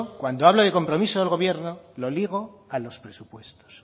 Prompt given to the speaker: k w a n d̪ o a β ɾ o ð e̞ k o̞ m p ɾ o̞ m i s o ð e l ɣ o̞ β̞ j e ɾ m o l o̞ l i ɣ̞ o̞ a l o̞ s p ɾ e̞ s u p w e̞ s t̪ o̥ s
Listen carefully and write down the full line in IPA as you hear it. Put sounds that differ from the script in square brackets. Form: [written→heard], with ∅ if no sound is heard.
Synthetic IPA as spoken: k w a n d̪ o a β [ɾ→l] o ð e̞ k o̞ m p ɾ o̞ m i s o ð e l ɣ o̞ β̞ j e ɾ [m→n] o l o̞ l i ɣ̞ o̞ a l o̞ s p ɾ e̞ s u p w e̞ s t̪ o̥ s